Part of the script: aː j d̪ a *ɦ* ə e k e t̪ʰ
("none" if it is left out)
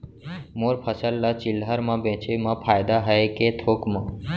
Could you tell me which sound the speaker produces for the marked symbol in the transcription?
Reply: ɦ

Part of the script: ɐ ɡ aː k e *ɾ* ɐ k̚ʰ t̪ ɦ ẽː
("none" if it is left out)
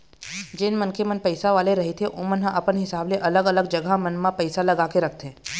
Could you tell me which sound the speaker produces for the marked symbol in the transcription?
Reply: ɾ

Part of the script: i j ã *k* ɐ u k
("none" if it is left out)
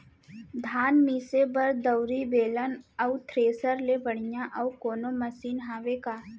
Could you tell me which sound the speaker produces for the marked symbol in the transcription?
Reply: ʔ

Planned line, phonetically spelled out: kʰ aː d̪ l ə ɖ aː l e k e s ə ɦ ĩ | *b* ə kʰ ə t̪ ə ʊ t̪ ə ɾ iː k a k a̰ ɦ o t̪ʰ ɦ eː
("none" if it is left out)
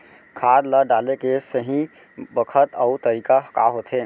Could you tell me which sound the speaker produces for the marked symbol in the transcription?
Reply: b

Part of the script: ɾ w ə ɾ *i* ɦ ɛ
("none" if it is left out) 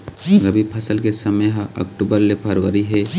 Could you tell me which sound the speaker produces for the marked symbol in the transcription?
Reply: i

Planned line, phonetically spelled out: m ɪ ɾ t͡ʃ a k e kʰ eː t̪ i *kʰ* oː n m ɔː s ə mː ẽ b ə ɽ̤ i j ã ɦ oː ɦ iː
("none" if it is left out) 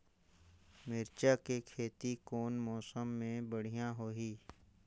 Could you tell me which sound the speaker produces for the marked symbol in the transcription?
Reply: k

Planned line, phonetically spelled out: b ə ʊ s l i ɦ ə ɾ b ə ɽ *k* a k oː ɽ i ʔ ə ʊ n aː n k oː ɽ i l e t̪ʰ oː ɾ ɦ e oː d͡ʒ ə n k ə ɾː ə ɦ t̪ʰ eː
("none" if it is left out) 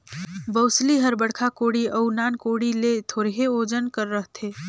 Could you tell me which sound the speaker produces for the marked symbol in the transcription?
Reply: kʰ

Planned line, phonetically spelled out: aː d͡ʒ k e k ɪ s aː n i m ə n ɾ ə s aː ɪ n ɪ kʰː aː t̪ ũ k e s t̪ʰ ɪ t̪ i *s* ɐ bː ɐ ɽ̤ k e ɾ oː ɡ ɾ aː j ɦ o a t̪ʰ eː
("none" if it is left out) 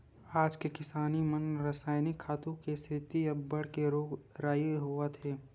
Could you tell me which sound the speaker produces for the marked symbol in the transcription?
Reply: none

